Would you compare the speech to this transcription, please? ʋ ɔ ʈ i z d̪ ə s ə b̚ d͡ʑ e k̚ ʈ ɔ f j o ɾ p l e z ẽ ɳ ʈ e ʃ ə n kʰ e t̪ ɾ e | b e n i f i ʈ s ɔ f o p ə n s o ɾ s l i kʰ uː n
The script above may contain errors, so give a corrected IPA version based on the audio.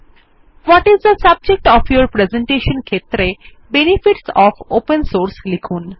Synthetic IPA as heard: ʋ ɔ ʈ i z d̪ ə s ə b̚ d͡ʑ e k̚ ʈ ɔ f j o ɾ p ɾ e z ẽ ɳ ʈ e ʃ ə n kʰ e t̪ ɾ e | b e n i f i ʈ s ɔ f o p ə n s o ɾ s l i kʰ uː n